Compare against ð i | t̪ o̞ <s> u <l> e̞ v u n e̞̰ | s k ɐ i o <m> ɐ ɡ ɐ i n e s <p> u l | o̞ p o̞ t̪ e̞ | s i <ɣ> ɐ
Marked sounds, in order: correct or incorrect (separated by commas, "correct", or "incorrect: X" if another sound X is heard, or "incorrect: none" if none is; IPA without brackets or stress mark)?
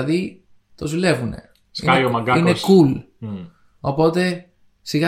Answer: incorrect: z, correct, correct, incorrect: k, correct